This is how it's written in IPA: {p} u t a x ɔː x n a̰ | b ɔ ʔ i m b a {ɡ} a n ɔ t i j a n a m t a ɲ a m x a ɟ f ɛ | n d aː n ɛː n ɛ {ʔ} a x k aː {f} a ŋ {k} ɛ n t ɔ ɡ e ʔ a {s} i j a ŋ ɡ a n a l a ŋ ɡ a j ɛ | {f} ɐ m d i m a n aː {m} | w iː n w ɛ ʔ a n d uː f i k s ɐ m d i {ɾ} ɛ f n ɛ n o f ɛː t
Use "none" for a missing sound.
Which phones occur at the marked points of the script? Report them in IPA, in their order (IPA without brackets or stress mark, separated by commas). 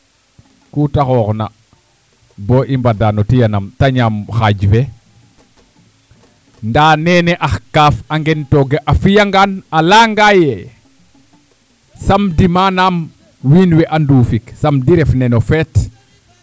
k, d, ʔ, f, ɡ, f, s, m, ɾ